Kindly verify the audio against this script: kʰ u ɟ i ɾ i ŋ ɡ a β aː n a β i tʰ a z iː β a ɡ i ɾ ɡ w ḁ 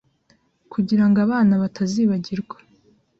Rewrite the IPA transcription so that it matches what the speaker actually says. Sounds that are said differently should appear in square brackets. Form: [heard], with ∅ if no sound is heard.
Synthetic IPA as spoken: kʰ u ɟ i ɾ [a] ŋ ɡ a β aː n a β [a] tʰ a z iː β a [ɟ] i ɾ ɡ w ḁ